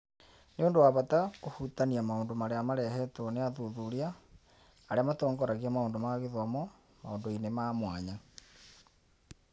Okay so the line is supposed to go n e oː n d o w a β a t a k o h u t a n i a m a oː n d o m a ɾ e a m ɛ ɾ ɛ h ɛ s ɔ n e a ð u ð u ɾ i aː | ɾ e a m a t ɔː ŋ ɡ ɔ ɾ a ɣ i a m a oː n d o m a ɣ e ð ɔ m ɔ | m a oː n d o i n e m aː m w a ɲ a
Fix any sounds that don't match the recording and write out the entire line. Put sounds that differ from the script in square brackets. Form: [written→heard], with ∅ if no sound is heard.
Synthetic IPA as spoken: n e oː n d o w a β a t a k o h u t a n i a m a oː n d o m a ɾ e a m [ɛ→a] ɾ ɛ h ɛ [s→t] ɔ n e a ð u ð u ɾ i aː | ɾ e a m a t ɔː ŋ ɡ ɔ ɾ a ɣ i a m a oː n d o m a ɣ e ð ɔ m ɔ | m a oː n d o i n e m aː m w a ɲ a